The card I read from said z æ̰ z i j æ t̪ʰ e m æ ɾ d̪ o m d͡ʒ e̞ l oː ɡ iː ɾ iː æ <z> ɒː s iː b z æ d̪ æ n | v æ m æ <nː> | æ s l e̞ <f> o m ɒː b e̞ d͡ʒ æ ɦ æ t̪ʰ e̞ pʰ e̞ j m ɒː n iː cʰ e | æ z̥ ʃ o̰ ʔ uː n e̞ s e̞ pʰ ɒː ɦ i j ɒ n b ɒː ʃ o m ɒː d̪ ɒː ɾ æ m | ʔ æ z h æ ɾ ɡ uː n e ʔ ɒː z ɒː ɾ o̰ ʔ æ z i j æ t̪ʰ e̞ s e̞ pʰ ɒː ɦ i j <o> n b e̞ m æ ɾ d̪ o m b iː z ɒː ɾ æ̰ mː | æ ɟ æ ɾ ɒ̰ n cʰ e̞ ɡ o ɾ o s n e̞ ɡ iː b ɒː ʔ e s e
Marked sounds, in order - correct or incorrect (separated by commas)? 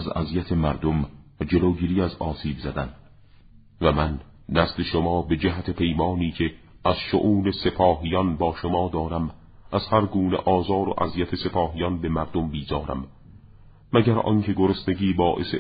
correct, correct, incorrect, incorrect